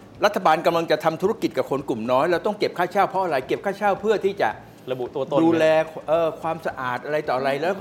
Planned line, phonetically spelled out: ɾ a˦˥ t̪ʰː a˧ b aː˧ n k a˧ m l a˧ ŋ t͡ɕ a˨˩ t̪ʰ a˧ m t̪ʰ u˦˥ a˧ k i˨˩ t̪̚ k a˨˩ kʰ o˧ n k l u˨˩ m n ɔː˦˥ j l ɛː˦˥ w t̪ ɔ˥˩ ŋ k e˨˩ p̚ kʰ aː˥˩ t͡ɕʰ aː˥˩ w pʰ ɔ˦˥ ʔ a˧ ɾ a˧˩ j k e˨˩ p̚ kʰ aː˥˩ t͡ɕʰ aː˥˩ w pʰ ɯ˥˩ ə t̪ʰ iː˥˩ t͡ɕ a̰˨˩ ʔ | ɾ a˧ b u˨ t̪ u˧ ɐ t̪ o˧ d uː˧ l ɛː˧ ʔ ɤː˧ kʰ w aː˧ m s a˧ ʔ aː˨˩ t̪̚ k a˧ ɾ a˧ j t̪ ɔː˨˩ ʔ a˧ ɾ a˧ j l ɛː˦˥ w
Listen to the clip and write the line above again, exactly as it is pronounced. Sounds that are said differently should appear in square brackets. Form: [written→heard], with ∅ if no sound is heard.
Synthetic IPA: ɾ a˦˥ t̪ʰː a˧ b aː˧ n k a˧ m l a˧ ŋ t͡ɕ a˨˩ t̪ʰ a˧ m t̪ʰ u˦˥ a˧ k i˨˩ t̪̚ k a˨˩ kʰ o˧ n k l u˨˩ m n ɔː˦˥ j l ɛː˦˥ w t̪ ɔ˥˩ ŋ k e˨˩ p̚ kʰ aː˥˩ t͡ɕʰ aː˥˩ w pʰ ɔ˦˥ ʔ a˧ ɾ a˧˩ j k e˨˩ p̚ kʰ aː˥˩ t͡ɕʰ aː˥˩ w pʰ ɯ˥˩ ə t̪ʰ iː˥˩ t͡ɕ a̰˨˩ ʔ | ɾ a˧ b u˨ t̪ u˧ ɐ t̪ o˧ d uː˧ l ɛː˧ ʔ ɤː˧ kʰ w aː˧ m s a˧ ʔ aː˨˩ t̪̚ [k→ʔ] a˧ ɾ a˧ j t̪ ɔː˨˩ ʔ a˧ ɾ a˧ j l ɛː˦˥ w